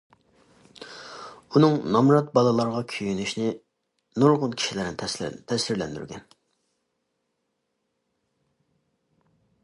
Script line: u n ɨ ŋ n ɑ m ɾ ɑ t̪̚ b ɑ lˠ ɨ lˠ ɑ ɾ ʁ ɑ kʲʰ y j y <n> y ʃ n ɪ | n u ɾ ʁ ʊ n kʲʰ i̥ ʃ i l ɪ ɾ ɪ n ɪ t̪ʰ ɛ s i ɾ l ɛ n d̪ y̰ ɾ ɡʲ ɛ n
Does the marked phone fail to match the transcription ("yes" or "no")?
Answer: no